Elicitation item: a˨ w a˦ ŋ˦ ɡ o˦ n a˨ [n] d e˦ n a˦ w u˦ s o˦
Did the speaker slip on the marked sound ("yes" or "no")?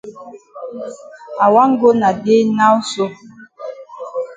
yes